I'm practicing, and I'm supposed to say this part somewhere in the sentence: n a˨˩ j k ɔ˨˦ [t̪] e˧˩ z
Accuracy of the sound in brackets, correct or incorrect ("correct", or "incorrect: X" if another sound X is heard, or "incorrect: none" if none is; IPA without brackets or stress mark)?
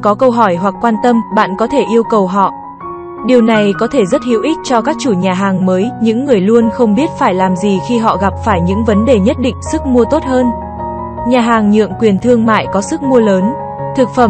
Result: incorrect: t̪ʰ